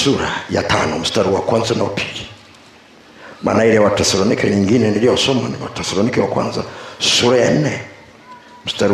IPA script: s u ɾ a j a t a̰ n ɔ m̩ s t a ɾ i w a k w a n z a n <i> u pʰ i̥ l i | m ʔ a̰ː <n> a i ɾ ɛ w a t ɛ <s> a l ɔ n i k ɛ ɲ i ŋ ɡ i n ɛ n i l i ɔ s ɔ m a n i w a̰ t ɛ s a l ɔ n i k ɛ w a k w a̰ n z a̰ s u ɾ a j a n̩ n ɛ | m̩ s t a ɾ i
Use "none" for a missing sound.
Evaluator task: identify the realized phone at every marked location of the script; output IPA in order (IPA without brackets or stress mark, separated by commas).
a, n, s